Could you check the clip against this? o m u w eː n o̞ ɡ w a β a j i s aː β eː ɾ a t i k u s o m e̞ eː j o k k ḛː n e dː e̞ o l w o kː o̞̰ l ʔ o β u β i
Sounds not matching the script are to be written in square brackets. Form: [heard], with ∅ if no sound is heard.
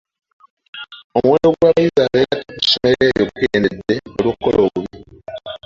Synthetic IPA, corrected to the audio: o m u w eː n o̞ ɡ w a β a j i [z] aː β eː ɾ a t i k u s o m e̞ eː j o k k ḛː n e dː e̞ o l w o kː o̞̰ l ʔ o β u β i